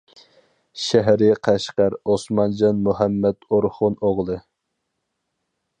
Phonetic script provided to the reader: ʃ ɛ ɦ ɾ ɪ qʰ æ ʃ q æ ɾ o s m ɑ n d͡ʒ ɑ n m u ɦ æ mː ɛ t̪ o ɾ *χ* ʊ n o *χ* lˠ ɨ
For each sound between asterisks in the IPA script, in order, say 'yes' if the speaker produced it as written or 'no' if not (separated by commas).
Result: yes, no